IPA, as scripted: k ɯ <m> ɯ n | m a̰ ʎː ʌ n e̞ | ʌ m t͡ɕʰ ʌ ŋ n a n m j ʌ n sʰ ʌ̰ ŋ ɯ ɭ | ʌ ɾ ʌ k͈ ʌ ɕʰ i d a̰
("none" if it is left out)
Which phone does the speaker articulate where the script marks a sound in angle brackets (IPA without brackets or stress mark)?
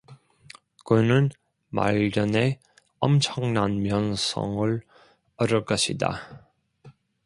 n